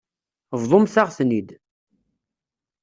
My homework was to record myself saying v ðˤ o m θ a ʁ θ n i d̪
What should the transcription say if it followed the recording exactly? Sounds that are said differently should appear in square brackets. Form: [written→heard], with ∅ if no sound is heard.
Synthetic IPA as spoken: v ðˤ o m θ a ʁ θ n i d̪